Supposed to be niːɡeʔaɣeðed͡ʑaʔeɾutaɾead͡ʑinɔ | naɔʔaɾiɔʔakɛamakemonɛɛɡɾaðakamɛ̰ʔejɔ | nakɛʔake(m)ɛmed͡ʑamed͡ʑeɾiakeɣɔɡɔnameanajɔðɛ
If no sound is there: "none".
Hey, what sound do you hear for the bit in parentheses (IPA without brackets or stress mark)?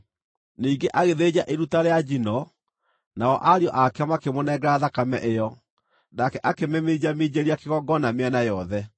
m